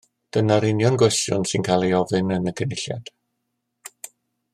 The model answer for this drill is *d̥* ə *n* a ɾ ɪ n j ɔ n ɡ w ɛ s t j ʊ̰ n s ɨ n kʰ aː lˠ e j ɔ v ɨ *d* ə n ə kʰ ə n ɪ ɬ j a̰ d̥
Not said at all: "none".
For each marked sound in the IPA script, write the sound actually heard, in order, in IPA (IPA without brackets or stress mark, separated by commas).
d̥, n, n